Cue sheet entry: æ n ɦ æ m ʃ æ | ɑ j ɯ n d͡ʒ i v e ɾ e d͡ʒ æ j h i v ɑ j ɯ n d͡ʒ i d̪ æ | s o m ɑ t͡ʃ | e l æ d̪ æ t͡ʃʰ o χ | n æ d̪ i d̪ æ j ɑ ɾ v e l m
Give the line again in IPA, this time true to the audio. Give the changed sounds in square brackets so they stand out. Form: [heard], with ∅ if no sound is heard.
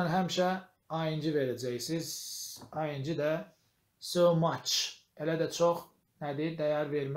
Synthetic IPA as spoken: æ n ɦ æ m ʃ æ | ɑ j ɯ n d͡ʒ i v e ɾ [æ] d͡ʒ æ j [s] i [z] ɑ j ɯ n d͡ʒ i d̪ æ | s o m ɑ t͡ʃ | e l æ d̪ æ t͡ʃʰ o χ | n æ d̪ i d̪ æ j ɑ ɾ v e [ɾ] m